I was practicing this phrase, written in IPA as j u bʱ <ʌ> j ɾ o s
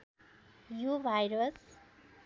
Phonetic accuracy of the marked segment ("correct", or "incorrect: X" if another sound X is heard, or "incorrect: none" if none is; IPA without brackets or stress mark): incorrect: a